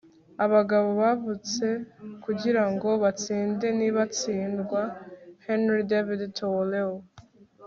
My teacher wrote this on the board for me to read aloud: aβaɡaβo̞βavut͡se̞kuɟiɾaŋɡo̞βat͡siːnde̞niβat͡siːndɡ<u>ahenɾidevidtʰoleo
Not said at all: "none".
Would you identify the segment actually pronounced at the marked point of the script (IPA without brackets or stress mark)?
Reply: w